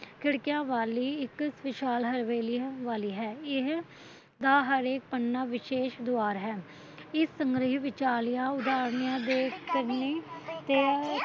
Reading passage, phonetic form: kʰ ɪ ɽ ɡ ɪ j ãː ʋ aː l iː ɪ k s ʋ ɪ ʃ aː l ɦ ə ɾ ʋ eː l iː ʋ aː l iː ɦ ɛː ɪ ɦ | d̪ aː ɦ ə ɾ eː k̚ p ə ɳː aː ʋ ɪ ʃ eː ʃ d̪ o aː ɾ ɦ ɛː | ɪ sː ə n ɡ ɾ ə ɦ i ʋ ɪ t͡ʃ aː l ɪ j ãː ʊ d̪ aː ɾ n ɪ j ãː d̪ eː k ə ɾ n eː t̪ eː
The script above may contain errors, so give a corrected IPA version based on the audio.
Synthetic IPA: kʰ ɪ ɽ k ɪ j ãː ʋ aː l iː ɪ k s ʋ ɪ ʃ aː l ɦ ə ɾ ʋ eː l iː ʋ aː l iː ɦ ɛː ɪ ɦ | d̪ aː ɦ ə ɾ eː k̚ p ə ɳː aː ʋ ɪ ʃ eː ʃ d̪ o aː ɾ ɦ ɛː | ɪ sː ə ŋ ɡ ɾ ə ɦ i ʋ ɪ t͡ʃ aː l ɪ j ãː ʊ d̪ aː ɾ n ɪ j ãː d̪ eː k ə ɾ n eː t̪ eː